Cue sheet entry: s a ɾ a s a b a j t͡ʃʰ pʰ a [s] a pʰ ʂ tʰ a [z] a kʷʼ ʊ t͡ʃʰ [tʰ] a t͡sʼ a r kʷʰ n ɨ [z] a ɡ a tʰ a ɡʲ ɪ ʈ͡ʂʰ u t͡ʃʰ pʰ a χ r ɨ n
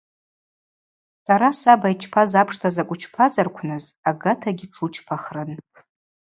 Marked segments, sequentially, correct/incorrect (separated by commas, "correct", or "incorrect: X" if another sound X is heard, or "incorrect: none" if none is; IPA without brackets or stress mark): incorrect: z, correct, incorrect: pʰ, correct